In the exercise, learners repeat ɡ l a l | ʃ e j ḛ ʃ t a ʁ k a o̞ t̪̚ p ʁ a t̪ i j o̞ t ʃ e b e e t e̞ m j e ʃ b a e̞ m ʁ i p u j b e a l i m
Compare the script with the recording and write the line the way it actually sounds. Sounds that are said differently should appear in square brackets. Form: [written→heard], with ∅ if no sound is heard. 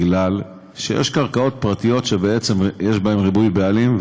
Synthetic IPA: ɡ l a l | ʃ e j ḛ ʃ [t→k] a ʁ k a o̞ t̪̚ p ʁ a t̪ i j o̞ t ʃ e b e e [t→t͡s] e̞ m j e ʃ b a e̞ m ʁ i [p→b] u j b e a l i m